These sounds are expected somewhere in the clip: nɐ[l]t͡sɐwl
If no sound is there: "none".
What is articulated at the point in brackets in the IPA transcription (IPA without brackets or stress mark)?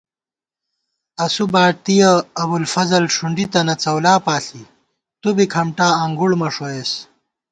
none